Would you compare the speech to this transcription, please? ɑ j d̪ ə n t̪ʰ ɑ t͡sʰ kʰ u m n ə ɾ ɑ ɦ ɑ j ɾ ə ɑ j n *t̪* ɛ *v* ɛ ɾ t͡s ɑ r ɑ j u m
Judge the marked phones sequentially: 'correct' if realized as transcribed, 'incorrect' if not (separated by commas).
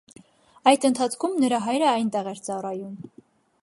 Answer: correct, incorrect